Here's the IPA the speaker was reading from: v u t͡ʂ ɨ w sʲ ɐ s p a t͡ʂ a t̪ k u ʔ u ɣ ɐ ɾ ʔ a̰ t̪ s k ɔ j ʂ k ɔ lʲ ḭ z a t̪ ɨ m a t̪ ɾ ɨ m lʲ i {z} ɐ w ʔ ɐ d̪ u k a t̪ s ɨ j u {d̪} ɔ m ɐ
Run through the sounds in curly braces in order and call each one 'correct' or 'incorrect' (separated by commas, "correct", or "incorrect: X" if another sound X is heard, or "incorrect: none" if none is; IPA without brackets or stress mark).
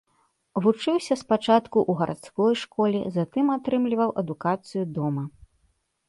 incorrect: v, correct